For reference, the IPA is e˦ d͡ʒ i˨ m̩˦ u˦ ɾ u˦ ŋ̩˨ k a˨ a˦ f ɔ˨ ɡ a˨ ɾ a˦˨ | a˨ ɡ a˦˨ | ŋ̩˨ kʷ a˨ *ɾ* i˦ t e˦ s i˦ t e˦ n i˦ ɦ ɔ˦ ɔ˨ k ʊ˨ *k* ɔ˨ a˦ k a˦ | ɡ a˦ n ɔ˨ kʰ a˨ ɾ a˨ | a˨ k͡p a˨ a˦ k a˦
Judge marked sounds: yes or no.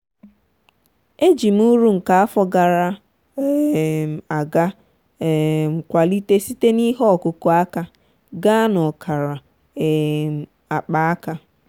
no, yes

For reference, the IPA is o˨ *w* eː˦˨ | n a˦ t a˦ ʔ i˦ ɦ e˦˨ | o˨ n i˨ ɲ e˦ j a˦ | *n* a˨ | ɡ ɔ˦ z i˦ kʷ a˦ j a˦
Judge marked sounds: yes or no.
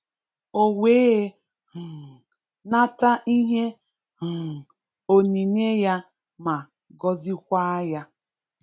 yes, no

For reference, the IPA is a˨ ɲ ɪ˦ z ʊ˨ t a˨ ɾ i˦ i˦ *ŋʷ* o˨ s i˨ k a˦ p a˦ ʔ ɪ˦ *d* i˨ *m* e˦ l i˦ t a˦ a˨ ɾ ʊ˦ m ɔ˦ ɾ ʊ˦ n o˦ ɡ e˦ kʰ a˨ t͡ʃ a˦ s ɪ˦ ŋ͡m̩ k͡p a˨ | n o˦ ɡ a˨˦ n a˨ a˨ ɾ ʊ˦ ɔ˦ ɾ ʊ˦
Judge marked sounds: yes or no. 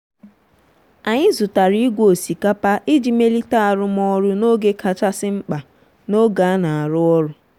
no, no, yes

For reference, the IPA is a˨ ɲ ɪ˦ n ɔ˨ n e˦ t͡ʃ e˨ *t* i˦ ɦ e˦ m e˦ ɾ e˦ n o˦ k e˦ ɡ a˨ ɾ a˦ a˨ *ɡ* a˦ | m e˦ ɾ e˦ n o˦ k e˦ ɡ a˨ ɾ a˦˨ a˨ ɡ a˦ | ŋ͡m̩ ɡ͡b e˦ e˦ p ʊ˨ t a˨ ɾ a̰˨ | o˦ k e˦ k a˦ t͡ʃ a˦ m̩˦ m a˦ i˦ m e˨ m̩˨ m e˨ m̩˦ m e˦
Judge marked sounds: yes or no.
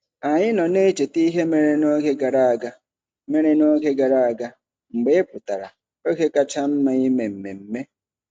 yes, yes

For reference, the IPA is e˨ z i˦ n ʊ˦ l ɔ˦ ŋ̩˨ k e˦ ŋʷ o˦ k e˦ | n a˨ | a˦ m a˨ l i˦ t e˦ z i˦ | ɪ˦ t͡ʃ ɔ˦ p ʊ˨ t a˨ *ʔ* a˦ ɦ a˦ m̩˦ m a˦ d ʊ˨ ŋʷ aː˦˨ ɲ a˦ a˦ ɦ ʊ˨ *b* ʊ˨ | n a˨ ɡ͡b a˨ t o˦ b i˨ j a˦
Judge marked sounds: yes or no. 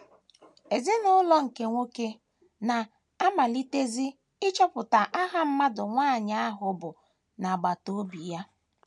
yes, yes

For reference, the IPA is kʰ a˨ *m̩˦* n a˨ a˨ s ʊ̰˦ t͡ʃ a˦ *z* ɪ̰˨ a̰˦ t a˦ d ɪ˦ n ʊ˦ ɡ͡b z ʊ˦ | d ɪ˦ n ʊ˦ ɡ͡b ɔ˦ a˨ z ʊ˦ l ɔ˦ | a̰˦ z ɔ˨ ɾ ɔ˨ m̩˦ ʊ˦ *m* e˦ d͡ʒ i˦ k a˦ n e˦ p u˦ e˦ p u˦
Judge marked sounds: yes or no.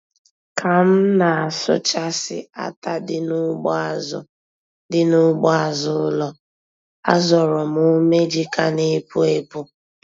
yes, no, yes

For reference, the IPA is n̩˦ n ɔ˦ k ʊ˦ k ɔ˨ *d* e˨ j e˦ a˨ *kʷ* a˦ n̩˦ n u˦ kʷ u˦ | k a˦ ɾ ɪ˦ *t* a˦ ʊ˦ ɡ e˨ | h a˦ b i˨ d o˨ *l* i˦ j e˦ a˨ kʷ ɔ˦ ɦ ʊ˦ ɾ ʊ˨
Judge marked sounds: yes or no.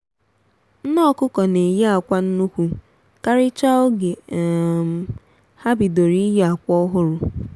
no, yes, no, no

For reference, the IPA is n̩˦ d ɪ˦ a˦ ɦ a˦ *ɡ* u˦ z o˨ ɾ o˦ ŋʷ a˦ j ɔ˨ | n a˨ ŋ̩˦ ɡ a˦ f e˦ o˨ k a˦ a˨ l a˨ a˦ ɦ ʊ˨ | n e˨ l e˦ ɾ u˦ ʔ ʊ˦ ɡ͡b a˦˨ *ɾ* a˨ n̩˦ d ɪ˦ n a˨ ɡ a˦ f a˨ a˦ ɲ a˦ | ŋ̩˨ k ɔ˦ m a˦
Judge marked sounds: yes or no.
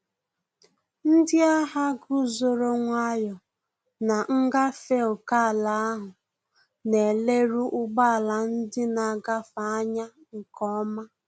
yes, no

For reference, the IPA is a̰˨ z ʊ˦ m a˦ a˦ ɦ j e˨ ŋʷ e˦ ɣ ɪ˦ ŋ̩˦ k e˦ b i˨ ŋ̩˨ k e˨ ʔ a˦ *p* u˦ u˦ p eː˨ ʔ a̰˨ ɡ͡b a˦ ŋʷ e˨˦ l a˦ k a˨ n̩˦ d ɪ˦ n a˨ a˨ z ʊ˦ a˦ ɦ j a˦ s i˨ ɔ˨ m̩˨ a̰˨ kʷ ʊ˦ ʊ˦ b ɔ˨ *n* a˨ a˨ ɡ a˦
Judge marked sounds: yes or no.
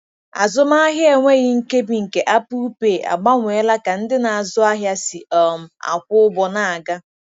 yes, yes

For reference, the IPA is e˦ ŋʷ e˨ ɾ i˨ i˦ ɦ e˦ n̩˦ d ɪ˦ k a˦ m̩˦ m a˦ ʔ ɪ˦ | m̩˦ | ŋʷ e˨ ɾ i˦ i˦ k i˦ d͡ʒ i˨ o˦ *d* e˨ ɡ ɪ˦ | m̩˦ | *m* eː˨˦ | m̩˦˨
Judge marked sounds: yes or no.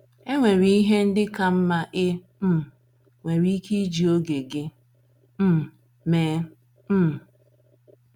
no, yes

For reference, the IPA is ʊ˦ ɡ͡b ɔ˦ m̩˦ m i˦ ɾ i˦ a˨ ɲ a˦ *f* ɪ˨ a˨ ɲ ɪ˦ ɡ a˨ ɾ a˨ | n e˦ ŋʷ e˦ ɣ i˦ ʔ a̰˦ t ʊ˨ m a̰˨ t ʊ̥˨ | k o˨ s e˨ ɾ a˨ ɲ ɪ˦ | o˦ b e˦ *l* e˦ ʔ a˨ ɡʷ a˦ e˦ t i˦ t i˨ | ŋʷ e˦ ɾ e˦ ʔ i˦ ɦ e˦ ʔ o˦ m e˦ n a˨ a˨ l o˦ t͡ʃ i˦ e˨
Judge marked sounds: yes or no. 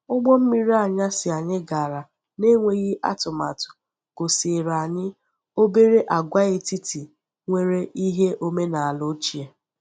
no, no

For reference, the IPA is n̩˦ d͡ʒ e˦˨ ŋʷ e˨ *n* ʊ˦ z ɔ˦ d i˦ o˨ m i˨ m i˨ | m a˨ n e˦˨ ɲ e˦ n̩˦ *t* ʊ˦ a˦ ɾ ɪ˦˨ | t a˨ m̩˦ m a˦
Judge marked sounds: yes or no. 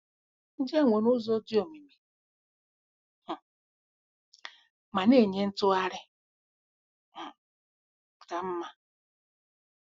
yes, yes

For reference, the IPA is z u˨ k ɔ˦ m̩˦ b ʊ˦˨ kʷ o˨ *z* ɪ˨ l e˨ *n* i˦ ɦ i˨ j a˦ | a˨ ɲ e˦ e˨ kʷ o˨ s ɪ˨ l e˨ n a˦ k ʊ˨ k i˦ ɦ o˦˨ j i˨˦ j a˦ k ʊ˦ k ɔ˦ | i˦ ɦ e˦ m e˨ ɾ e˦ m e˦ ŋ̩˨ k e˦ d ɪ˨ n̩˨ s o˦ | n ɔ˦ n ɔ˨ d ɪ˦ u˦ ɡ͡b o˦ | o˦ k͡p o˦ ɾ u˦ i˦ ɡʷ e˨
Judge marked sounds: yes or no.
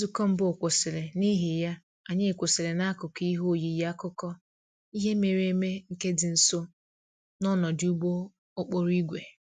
no, yes

